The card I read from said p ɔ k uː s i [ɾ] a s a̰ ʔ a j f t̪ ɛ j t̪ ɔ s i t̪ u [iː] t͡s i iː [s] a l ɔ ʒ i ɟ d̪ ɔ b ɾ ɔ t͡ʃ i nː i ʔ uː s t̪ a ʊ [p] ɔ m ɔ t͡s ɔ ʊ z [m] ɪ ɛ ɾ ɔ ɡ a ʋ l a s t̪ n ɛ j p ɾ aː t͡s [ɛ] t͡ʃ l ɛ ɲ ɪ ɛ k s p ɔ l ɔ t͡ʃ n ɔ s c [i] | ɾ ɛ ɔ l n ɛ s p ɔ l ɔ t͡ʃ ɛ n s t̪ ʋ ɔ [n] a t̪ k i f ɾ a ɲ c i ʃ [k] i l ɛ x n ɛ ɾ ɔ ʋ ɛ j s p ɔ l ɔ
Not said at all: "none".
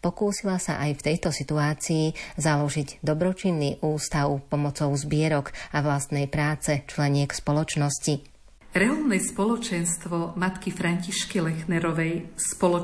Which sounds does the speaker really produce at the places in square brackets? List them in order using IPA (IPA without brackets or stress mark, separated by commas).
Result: l, aː, z, p, b, ɛ, i, m, k